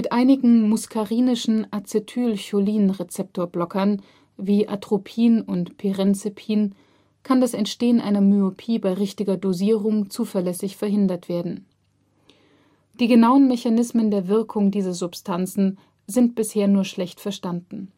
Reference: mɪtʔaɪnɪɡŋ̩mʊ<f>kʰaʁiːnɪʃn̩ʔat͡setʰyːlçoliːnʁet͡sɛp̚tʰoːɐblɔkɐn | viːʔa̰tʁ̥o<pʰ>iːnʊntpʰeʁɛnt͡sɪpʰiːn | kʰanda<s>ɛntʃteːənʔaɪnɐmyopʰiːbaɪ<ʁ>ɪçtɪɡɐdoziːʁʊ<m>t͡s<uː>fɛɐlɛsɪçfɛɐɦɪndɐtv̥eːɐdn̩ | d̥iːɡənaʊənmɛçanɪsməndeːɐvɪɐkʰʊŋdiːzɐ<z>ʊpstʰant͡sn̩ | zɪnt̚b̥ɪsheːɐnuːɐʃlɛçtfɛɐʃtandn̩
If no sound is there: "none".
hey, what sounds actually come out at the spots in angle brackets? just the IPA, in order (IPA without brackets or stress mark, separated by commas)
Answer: s, pʰ, s, ʁ, ŋ, uː, z